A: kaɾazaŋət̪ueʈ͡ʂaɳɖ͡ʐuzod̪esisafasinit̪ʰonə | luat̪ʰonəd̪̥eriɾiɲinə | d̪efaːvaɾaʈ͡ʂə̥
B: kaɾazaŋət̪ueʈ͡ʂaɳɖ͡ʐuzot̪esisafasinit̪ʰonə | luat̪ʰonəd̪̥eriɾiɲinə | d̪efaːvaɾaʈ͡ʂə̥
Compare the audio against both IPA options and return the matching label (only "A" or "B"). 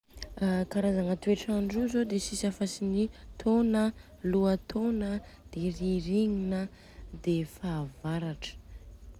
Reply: A